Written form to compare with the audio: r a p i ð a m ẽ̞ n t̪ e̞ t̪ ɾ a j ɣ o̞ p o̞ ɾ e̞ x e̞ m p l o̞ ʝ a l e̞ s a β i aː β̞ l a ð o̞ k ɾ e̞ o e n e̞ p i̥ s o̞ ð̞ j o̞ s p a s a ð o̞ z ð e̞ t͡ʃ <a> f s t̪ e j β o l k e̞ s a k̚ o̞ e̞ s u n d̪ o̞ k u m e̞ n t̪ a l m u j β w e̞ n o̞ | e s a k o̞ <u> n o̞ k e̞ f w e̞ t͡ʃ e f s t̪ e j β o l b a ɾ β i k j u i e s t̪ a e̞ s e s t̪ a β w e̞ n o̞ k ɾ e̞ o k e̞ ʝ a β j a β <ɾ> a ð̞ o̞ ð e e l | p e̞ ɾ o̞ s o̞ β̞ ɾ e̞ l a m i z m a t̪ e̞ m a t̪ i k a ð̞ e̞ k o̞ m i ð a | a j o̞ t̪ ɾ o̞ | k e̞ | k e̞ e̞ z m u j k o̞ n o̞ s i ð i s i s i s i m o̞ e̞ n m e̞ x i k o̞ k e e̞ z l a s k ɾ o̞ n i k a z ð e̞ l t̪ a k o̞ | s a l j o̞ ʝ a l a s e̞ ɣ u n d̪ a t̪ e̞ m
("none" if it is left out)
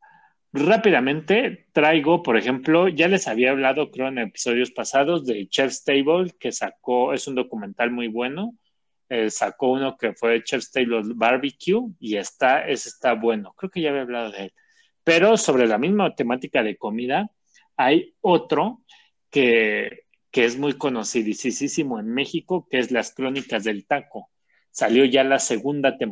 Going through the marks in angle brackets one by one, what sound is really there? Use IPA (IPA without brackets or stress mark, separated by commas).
e, u, l